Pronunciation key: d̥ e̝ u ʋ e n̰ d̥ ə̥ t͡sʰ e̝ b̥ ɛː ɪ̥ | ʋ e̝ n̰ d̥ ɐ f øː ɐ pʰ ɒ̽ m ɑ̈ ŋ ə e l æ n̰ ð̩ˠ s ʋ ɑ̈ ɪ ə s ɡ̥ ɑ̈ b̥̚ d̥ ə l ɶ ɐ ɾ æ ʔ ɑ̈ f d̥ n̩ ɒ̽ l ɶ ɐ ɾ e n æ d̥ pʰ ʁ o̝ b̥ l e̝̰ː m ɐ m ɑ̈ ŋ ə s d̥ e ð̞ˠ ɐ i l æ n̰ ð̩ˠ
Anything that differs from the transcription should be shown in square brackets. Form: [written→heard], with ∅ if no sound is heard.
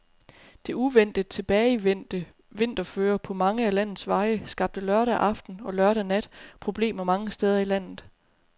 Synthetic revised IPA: d̥ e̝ u ʋ e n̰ d̥ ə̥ t͡sʰ e̝ b̥ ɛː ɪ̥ | ʋ e̝ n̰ d̥ ɐ f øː ɐ pʰ ɒ̽ m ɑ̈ ŋ ə [e→æ] l æ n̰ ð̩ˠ s ʋ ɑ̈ ɪ ə s ɡ̥ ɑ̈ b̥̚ d̥ ə l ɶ ɐ ɾ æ ʔ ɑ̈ f d̥ n̩ ɒ̽ l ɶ ɐ ɾ [e→æ] n æ d̥ pʰ ʁ o̝ b̥ l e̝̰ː m ɐ m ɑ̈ ŋ ə s d̥ e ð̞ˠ ɐ i l æ n̰ ð̩ˠ